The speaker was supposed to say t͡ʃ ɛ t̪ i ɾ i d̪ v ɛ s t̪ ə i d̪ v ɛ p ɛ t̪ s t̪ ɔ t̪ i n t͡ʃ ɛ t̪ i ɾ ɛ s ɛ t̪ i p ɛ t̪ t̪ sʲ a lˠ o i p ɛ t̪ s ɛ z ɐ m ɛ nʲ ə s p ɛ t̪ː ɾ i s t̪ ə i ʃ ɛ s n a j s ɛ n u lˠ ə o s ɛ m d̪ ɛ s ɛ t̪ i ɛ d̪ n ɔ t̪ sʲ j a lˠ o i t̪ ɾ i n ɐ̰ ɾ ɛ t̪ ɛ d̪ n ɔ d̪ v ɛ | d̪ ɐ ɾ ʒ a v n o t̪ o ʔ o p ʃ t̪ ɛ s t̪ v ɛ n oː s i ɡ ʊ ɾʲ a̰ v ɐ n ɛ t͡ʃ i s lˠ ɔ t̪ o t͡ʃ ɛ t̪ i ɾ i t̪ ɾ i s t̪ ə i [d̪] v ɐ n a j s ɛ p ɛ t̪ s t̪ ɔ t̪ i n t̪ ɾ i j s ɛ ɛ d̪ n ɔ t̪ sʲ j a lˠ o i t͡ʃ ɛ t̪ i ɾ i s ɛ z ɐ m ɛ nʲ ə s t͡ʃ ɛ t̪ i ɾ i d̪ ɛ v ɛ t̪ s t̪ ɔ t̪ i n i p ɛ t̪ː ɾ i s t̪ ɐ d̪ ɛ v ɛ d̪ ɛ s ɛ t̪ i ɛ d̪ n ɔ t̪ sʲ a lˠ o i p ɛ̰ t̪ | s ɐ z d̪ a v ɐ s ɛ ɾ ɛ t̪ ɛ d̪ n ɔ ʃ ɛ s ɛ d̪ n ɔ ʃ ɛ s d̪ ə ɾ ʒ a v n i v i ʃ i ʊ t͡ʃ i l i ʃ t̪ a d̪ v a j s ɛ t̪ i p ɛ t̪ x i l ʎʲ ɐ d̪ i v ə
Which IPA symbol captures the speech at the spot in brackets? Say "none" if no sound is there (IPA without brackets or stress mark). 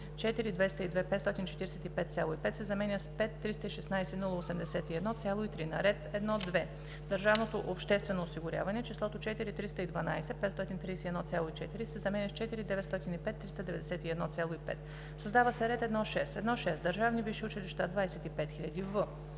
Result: d̪